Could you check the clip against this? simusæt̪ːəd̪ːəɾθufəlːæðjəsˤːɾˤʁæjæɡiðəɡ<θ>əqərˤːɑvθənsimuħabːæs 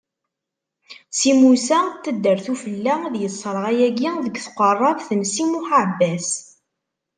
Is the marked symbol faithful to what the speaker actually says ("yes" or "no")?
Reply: yes